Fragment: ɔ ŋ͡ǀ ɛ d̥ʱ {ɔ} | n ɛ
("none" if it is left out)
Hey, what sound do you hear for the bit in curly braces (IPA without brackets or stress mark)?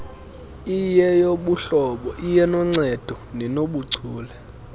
ɔ